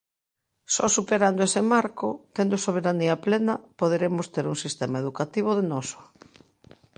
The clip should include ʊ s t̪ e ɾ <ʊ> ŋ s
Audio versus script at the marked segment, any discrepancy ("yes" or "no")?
yes